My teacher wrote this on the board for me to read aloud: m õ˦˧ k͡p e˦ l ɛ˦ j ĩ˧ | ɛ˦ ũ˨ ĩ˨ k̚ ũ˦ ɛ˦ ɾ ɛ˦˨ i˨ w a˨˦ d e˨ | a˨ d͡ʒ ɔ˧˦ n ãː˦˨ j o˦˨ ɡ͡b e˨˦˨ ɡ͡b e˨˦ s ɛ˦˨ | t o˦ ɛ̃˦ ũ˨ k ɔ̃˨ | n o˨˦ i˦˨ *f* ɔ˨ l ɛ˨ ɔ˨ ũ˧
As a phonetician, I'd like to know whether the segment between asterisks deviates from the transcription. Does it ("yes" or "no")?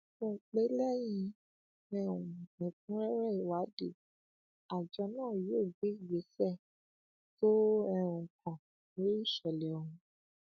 yes